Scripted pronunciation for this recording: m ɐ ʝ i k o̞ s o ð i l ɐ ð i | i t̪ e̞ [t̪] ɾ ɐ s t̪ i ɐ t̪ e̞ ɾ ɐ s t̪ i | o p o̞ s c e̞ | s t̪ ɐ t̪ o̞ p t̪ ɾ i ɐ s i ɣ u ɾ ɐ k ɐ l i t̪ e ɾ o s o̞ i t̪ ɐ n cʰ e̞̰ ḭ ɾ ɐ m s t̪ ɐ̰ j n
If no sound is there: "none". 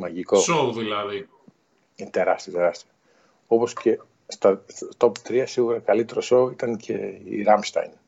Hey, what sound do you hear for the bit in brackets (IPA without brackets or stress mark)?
none